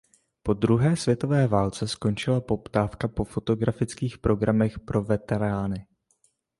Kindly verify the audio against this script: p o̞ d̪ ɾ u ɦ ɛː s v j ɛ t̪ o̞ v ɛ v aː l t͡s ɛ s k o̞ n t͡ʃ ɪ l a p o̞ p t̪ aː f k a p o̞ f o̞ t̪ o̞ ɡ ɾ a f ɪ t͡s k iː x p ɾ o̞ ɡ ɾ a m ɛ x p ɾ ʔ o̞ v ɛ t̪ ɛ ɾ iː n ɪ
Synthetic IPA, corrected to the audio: p o̞ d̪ ɾ u ɦ ɛː s v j ɛ t̪ o̞ v ɛː v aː l t͡s ɛ s k o̞ n t͡ʃ ɪ l a p o̞ p t̪ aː f k a p o̞ f o̞ t̪ o̞ ɡ ɾ a f ɪ t͡s k iː x p ɾ o̞ ɡ ɾ a m ɛ x p ɾ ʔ o̞ v ɛ t̪ ɛ ɾ aː n ɪ